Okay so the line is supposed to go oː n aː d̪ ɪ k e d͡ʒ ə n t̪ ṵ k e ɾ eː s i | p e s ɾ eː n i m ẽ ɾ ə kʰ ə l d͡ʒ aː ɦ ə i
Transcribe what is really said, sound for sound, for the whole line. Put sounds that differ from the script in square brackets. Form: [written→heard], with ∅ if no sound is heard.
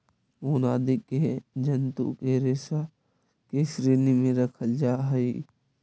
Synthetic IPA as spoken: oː n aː d̪ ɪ k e d͡ʒ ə n t̪ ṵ k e ɾ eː s [i→a] | [p→k] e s ɾ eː n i m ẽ ɾ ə kʰ ə l d͡ʒ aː ɦ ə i